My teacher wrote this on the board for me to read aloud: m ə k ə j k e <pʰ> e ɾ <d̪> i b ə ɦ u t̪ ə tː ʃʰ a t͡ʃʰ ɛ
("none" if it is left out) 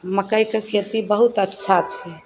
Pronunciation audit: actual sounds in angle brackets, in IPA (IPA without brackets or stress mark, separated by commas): kʰ, t̪